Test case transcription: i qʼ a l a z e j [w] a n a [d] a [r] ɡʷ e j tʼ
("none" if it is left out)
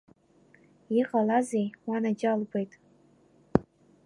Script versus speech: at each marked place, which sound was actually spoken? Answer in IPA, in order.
w, d͡ʒ, l

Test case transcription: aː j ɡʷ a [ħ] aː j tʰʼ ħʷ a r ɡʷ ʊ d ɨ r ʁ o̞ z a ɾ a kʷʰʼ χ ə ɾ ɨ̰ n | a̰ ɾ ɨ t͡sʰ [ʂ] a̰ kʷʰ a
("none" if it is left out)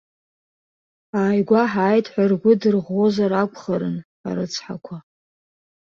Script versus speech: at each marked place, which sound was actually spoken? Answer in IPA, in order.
ħ, ħ

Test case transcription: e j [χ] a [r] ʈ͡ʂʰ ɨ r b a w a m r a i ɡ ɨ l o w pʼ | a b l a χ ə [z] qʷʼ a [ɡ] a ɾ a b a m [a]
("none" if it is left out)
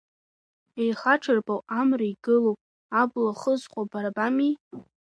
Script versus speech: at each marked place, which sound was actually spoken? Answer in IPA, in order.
χ, none, z, b, i

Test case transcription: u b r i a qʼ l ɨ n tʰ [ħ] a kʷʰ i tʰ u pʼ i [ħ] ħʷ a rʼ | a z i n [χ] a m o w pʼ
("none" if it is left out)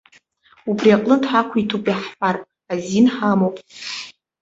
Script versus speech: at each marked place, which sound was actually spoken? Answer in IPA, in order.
ħ, ħ, ħ

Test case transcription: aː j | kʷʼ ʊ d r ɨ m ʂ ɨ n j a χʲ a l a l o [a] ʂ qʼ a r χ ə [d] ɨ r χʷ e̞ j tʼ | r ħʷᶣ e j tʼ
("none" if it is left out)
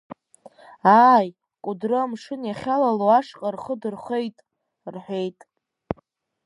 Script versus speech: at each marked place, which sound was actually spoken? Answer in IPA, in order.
a, d

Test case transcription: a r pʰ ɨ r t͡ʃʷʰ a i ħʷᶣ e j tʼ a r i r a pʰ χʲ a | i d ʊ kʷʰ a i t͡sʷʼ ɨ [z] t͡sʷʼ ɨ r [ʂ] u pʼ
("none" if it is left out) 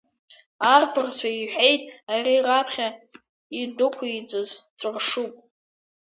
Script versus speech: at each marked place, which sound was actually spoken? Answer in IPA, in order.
z, ʂ

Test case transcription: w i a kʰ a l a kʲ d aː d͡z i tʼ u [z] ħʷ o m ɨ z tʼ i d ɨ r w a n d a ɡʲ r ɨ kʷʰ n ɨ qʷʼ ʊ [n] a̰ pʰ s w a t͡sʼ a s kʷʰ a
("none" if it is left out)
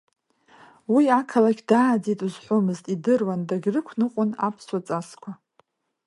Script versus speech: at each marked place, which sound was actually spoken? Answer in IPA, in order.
z, n

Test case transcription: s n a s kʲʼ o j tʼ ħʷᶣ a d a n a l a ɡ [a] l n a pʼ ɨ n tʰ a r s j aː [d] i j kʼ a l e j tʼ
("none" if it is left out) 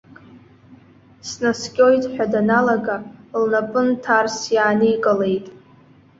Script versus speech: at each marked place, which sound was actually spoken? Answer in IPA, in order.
a, n

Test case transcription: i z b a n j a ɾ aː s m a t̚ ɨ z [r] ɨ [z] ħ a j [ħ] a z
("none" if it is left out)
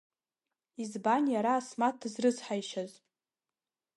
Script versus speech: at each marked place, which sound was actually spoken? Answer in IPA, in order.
r, z, ʃ

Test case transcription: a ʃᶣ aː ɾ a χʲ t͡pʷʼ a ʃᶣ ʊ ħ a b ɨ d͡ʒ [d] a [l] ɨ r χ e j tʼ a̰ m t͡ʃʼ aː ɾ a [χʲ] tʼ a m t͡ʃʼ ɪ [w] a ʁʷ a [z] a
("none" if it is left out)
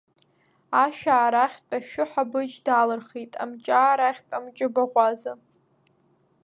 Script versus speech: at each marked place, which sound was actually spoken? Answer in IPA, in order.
d, l, χʲ, b, z

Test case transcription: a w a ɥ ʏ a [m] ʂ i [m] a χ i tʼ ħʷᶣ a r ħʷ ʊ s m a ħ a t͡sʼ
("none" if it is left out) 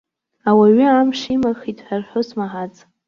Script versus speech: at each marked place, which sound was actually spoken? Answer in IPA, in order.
m, m

